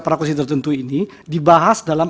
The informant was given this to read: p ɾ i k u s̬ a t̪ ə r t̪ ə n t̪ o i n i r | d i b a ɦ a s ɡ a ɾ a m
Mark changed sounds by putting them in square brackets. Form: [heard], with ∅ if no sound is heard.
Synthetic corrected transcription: p ɾ [a] k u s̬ [i] t̪ ə r t̪ ə n t̪ [u] i n i [∅] | d i b a ɦ a s [d] a [l] a m